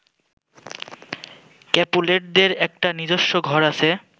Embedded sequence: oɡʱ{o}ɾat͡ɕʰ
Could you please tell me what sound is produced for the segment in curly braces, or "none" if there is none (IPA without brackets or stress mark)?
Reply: ɔ